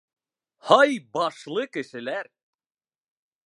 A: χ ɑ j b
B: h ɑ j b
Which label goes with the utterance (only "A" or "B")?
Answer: B